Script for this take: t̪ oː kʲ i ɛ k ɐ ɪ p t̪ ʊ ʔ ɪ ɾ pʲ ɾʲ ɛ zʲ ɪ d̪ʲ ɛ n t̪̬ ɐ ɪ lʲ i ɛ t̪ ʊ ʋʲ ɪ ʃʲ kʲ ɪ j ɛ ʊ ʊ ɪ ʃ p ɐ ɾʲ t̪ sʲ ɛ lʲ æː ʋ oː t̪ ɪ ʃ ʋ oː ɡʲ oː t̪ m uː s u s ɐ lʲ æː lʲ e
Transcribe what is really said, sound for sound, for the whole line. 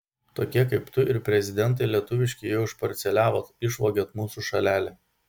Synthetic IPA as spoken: t̪ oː kʲ i ɛ k ɐ ɪ p t̪ ʊ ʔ ɪ ɾ pʲ ɾʲ ɛ zʲ ɪ d̪ʲ ɛ n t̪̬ ɐ ɪ lʲ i ɛ t̪ ʊ ʋʲ ɪ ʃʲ kʲ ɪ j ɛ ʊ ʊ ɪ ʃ p ɐ ɾʲ t̪ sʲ ɛ lʲ æː ʋ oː t̪ ɪ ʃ ʋ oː ɡʲ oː t̪ m uː s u ʃ ɐ lʲ æː lʲ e